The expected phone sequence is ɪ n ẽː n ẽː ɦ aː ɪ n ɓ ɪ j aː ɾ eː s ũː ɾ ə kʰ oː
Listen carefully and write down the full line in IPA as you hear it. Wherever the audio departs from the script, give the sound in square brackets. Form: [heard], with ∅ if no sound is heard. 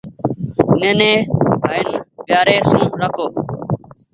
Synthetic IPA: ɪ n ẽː n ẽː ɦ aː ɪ n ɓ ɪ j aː ɾ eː s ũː ɾ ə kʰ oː